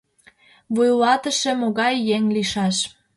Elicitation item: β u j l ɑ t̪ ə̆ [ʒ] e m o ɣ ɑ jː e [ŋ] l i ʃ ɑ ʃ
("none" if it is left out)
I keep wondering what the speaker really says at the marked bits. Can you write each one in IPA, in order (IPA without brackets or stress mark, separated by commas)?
ʃ, ŋ